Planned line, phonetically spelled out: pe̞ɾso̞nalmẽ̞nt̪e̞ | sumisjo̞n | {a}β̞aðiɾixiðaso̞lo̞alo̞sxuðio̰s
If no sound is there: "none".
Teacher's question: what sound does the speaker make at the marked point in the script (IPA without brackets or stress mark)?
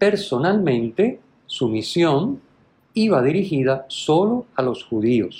i